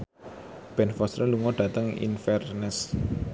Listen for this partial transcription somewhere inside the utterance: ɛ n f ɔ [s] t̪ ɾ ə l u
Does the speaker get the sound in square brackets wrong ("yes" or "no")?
no